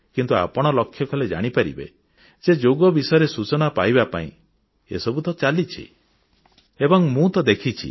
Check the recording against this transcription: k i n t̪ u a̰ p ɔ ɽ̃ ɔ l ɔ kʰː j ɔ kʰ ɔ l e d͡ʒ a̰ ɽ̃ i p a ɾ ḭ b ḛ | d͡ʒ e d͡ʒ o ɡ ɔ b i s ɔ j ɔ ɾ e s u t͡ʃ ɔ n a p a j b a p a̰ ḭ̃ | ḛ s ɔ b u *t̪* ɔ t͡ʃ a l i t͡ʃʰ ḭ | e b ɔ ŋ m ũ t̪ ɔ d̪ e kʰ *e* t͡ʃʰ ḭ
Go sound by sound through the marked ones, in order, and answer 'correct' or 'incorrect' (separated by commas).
correct, incorrect